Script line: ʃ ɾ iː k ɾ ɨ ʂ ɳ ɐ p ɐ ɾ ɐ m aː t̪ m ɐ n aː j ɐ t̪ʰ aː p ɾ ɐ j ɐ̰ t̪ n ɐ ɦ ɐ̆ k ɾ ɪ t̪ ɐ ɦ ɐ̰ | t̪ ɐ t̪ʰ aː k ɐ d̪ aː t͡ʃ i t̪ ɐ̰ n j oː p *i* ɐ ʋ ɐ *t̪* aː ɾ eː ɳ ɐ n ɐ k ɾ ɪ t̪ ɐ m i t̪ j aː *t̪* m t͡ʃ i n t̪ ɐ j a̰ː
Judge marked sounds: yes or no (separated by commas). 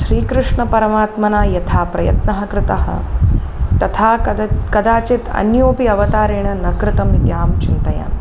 yes, yes, no